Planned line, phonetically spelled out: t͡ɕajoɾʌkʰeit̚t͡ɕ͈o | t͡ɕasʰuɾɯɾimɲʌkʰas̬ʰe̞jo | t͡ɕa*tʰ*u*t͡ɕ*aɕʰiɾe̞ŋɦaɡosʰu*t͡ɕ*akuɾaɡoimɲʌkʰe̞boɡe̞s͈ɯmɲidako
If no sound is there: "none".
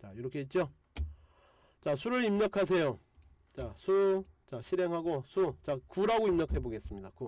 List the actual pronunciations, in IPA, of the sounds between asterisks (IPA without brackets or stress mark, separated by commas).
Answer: sʰ, t͡ɕ, t͡ɕ